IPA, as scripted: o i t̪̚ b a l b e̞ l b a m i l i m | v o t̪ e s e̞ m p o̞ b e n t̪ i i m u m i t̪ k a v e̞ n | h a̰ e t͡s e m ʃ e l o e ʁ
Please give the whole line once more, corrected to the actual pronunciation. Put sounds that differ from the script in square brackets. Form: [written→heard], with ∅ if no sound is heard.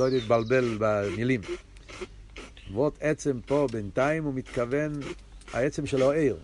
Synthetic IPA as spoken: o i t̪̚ b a l b e̞ l b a m i l i m | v o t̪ e [s→t͡s] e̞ m p o̞ b e n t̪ [i→a] i m u m i t̪ k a v e̞ n | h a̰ e t͡s e m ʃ e l o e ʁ